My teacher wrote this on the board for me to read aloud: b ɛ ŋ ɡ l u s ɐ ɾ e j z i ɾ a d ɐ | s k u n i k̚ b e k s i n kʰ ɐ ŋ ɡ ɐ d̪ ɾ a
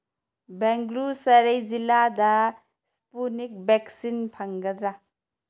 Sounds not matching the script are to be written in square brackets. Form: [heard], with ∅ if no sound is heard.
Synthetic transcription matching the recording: b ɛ ŋ ɡ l u s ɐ ɾ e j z i [l] a d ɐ | s [p] u n i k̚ b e k s i n [pʰ] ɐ ŋ ɡ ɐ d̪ ɾ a